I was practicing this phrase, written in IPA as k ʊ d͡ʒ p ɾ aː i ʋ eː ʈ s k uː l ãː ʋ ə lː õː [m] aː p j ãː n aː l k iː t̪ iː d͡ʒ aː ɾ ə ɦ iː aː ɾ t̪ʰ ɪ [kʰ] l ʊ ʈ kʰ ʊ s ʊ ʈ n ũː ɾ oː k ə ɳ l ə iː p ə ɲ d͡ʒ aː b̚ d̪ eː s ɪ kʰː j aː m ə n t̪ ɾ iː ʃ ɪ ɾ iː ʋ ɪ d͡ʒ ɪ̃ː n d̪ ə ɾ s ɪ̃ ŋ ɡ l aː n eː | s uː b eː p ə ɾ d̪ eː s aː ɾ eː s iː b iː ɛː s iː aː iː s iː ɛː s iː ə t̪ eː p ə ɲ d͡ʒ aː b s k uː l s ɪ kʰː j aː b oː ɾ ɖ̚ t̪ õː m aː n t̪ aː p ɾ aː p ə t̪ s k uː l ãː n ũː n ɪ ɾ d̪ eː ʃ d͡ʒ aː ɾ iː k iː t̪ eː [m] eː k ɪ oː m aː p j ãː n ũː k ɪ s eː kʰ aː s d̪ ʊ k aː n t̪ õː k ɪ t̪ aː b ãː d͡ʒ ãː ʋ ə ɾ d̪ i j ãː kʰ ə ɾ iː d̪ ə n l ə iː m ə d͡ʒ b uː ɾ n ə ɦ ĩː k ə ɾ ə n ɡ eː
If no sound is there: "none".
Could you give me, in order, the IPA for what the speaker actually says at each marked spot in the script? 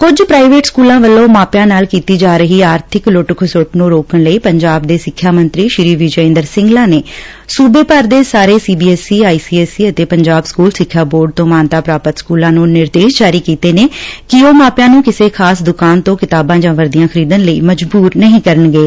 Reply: m, k, n

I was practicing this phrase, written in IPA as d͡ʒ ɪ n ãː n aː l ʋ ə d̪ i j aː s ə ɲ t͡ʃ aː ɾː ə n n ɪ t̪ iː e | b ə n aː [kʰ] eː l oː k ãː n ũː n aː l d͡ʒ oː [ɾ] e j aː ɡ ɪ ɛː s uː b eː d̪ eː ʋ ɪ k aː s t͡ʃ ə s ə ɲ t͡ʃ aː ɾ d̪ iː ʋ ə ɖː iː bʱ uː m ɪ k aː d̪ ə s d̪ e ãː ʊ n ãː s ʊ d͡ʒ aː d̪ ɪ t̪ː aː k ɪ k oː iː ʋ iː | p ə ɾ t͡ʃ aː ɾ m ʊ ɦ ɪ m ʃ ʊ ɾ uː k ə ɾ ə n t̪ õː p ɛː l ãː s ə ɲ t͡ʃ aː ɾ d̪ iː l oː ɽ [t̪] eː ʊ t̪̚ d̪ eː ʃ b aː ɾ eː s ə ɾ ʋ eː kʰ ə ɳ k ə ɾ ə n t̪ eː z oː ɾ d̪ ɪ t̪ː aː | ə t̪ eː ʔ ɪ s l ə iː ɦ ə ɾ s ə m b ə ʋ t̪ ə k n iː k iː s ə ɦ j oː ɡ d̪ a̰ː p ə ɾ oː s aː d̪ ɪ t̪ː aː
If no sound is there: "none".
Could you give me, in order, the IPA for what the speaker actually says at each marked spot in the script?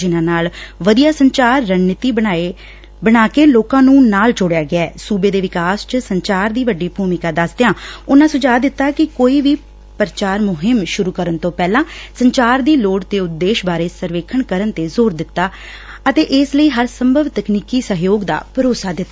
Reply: k, ɽ, t̪

